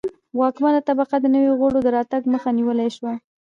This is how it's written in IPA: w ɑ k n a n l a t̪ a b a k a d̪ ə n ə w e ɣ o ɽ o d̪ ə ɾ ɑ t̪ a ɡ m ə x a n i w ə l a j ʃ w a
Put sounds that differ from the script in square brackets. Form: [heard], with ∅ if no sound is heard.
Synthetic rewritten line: w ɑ k [m] a n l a t̪ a b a [q] a d̪ ə n ə w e ɣ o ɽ o d̪ ə ɾ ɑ t̪ a ɡ m ə x a n i w ə l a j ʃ w a